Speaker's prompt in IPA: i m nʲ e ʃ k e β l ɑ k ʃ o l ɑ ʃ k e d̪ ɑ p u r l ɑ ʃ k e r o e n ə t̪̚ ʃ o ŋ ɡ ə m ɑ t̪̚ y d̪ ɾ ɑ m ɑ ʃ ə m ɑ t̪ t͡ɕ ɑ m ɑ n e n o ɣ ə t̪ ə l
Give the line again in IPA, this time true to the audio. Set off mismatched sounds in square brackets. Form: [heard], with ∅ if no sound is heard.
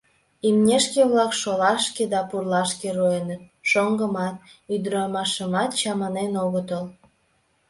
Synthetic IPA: i m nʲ e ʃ k e β l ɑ k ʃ o l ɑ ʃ k e d̪ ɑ p u r l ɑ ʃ k e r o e n ə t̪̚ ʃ o ŋ ɡ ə m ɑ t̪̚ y d̪ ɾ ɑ m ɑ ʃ ə m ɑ t̪ t͡ɕ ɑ m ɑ n e n o ɣ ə t̪ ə l